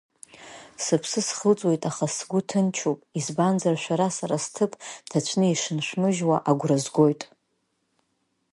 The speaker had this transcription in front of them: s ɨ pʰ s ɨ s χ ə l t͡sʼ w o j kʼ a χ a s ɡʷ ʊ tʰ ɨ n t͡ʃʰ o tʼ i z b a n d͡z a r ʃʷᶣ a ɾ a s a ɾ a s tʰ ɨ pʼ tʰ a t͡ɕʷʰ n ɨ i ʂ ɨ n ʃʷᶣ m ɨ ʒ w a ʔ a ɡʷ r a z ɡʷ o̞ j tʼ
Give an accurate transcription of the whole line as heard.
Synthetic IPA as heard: s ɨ pʰ s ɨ s χ ə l t͡sʼ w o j tʼ a χ a s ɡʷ ʊ tʰ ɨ n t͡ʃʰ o pʼ i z b a n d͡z a r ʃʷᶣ a ɾ a s a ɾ a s tʰ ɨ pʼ tʰ a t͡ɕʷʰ n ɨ i ʂ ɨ n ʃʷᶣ m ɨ ʒ w a ʔ a ɡʷ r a z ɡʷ o̞ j tʼ